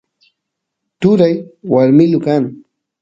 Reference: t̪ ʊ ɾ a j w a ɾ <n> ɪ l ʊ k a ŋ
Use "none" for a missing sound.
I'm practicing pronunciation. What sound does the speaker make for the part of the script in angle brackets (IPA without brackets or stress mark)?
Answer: m